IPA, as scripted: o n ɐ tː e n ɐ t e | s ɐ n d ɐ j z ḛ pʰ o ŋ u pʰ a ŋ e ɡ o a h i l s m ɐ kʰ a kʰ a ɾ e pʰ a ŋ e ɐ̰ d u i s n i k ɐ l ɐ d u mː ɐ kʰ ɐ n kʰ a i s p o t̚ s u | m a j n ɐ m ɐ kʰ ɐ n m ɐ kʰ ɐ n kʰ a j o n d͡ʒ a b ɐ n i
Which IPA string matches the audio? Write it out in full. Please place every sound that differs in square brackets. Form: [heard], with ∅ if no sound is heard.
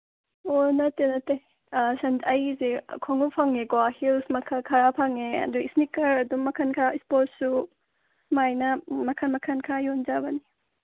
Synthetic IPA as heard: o n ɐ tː e n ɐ t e | s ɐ n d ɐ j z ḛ [kʰ] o ŋ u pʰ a ŋ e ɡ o a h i l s m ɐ kʰ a kʰ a ɾ [a] pʰ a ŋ e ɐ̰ d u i s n i k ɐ [ɾ] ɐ d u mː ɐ kʰ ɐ n kʰ a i s p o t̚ s u | m a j n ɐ m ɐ kʰ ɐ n m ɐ kʰ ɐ n kʰ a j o n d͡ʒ a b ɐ n i